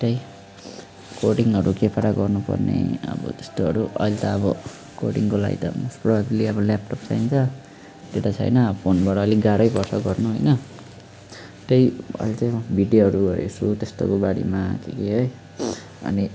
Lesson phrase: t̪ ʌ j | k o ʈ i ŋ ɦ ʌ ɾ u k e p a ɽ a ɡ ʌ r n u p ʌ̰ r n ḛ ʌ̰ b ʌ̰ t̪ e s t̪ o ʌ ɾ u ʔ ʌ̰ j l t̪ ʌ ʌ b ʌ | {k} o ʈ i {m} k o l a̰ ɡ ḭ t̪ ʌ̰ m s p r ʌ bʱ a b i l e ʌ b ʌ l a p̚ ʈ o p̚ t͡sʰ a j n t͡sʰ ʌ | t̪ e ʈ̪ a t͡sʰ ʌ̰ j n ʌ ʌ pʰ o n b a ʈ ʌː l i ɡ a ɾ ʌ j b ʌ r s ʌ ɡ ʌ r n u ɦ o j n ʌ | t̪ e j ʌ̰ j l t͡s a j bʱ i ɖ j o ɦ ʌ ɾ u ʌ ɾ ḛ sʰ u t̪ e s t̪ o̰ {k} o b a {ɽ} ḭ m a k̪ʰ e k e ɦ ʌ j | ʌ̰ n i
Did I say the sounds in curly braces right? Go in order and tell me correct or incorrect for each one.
correct, incorrect, correct, correct

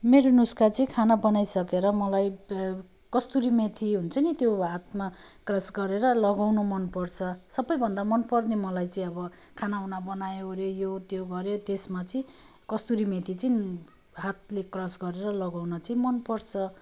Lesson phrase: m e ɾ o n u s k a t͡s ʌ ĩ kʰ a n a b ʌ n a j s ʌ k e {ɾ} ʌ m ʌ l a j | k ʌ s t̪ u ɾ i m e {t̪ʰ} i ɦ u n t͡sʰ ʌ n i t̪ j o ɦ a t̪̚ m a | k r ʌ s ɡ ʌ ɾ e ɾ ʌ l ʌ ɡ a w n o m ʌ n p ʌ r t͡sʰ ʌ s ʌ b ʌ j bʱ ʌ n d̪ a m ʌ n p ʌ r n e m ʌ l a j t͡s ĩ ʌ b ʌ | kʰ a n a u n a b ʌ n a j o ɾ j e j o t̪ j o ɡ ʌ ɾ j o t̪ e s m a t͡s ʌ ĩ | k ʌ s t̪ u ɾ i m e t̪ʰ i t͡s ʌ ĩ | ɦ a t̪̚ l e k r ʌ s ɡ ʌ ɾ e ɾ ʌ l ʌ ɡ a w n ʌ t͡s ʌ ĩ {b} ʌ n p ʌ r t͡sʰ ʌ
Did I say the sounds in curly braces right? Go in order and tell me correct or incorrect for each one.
correct, correct, incorrect

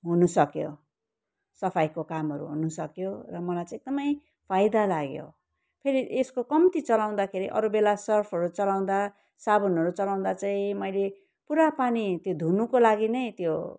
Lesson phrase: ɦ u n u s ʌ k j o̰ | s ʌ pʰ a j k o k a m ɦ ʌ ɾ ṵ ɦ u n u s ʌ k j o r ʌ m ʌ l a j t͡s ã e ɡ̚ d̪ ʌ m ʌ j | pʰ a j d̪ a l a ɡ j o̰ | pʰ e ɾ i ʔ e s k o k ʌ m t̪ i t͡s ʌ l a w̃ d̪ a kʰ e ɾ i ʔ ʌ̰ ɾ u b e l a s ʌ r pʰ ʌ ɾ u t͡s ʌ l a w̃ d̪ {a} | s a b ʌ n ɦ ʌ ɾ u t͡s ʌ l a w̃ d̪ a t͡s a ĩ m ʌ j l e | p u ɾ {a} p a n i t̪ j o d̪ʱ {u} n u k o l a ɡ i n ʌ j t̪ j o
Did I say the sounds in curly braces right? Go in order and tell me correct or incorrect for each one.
correct, correct, correct

